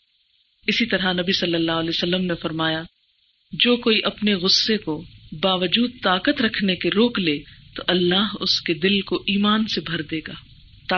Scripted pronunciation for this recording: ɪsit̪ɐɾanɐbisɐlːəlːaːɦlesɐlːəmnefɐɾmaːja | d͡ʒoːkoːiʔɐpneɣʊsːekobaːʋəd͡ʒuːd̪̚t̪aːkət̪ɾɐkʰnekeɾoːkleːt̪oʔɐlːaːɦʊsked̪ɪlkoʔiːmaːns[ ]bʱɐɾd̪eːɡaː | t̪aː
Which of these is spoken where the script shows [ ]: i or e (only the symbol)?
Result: e